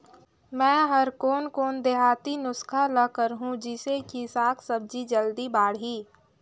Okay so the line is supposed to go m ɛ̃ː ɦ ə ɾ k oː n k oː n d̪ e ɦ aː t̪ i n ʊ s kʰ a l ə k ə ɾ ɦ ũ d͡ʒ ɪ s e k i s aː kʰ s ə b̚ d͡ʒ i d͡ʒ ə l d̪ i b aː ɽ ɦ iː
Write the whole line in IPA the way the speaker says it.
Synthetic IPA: m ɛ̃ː ɦ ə ɾ k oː n k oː n d̪ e ɦ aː t̪ i n ʊ s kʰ a l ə k ə ɾ ɦ ũ d͡ʒ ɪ s e k i s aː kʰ s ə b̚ d͡ʒ i d͡ʒ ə l d̪ i b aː ɽ ɦ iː